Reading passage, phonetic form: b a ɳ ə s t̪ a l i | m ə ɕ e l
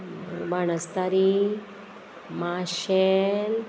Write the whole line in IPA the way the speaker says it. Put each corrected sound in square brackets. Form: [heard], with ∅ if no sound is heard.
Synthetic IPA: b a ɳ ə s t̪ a [ɾ] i | m [a] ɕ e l